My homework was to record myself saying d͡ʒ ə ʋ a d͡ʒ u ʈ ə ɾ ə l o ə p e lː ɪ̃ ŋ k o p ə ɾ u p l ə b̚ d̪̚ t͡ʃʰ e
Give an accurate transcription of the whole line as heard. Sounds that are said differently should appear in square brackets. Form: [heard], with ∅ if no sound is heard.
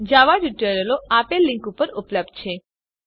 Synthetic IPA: d͡ʒ [a] ʋ a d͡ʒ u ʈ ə ɾ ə l o [a] p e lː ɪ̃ ŋ k [u] p ə ɾ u p l ə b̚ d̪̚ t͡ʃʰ e